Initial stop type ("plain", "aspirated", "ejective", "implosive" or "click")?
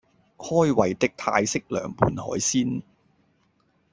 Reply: plain